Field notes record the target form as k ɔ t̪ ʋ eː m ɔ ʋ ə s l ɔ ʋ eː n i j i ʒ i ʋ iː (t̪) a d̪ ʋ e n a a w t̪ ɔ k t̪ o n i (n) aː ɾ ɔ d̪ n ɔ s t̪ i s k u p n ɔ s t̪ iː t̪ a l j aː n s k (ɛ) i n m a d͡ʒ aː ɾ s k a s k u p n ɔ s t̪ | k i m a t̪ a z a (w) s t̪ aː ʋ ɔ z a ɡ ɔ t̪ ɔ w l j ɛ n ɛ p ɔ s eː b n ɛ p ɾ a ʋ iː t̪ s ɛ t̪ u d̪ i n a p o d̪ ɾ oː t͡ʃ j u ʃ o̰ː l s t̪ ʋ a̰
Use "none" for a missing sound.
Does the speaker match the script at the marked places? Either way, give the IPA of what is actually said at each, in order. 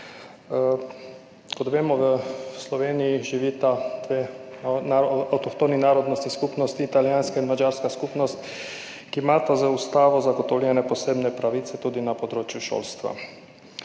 t̪, n, a, u

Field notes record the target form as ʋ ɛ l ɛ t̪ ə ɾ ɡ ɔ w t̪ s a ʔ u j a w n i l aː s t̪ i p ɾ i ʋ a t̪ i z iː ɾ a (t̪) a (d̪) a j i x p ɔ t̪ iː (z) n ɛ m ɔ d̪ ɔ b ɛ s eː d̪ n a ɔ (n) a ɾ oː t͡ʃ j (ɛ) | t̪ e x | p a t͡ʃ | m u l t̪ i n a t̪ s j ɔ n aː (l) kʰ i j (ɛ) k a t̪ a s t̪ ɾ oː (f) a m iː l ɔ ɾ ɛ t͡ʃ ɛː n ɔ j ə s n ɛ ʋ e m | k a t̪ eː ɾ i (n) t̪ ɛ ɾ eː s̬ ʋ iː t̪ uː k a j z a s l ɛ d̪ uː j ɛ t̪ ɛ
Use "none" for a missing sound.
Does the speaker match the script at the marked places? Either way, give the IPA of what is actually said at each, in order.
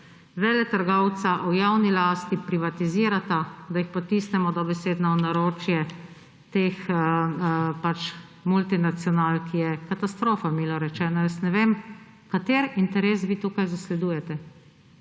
t̪, d̪, s, n, ɛ, l, ɛ, f, n

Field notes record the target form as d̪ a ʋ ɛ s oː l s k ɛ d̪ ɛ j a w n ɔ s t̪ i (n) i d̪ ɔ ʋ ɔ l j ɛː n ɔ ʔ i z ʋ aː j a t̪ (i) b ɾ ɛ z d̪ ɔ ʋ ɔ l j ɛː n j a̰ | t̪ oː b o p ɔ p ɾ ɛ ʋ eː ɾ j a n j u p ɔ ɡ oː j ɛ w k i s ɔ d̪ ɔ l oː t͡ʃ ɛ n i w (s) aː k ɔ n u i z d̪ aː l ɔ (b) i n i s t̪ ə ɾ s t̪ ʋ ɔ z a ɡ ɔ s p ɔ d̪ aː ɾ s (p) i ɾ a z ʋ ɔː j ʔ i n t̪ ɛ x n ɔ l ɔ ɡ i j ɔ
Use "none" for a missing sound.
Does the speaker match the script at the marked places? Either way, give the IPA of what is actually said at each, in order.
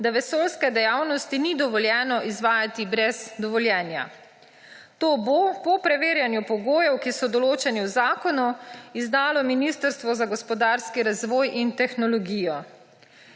n, i, z, m, k

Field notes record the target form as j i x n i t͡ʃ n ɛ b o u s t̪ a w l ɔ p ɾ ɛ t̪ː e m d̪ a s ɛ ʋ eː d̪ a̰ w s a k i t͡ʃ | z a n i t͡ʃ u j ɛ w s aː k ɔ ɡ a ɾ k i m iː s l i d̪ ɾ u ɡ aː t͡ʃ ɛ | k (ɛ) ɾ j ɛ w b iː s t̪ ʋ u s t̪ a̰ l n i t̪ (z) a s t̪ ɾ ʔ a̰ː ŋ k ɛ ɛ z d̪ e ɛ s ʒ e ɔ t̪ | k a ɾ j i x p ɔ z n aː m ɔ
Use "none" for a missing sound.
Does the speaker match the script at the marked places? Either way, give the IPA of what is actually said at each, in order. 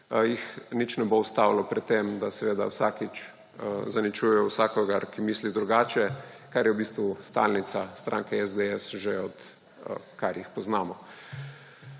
a, s

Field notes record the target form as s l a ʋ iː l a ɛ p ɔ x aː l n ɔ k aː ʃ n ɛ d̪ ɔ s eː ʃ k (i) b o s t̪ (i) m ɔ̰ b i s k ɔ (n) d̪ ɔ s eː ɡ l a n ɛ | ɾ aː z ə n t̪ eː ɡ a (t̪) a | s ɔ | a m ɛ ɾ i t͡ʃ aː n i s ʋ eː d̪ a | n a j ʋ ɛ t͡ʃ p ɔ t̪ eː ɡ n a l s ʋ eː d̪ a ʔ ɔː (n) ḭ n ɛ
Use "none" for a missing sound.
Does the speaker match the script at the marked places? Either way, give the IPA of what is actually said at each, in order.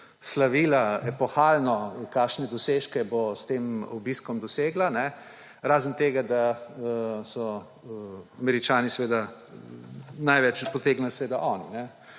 ɛ, e, m, d̪, n

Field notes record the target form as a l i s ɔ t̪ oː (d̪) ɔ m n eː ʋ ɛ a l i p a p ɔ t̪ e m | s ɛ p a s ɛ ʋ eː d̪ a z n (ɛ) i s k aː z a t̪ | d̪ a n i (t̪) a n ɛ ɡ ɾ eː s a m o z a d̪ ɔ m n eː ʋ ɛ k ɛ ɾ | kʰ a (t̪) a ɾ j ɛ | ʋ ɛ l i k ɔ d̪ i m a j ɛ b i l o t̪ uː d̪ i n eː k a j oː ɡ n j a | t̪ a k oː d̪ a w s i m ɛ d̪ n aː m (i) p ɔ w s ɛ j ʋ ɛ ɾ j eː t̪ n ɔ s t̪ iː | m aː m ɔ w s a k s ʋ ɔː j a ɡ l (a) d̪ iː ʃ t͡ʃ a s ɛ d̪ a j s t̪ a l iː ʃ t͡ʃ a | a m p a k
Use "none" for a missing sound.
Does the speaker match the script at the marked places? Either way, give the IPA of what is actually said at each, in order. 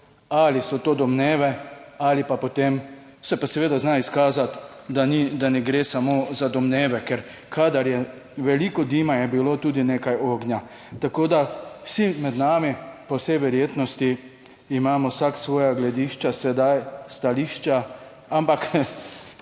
d̪, a, d̪, d̪, i, ɛ

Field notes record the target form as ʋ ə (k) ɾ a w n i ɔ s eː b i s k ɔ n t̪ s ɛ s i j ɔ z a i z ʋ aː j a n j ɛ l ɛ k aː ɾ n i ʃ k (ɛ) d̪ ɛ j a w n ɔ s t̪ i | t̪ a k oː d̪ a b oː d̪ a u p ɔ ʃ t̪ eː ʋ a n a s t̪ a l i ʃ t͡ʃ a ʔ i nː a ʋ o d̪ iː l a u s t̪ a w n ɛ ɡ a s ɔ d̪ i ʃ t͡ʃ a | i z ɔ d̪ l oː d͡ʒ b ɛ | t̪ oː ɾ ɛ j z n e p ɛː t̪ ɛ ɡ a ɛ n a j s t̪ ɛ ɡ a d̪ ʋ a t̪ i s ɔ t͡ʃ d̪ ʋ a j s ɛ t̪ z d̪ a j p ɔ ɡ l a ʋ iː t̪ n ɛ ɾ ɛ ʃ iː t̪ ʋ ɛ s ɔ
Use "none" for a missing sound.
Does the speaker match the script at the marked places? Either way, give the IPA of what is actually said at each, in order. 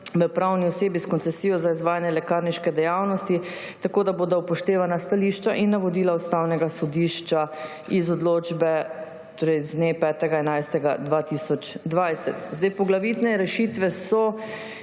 p, ɛ

